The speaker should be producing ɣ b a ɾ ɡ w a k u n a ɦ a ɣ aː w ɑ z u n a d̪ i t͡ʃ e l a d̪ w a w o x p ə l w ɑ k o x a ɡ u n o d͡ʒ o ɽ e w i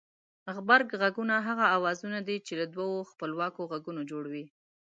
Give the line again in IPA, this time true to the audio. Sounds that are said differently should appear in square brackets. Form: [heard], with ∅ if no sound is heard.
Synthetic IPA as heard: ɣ b a ɾ ɡ [ɣ] a [ɡ] u n a ɦ a ɣ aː w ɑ z u n a d̪ i t͡ʃ e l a d̪ w a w o x p ə l w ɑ k o [ɣ] a ɡ u n o d͡ʒ o ɽ [a] w i